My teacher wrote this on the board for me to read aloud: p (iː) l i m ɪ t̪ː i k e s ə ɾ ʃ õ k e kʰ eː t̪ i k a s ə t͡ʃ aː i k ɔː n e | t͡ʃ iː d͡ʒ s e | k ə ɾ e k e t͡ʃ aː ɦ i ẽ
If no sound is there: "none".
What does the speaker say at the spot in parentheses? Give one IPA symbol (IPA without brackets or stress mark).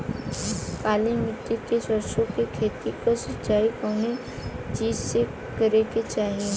aː